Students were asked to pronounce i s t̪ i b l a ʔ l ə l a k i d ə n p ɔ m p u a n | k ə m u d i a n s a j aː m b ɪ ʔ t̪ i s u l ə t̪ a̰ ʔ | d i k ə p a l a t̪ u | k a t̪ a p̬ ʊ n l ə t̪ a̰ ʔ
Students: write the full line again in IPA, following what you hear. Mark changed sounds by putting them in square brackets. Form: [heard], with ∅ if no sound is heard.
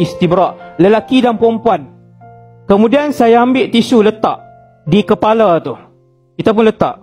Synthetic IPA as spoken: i s t̪ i b [ɾ] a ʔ l ə l a k i d [a] n p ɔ m p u a n | k ə m u d i a n s a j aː m b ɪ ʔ t̪ i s u l ə t̪ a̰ ʔ | d i k ə p a l a t̪ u | k [i] t̪ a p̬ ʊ n l ə t̪ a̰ ʔ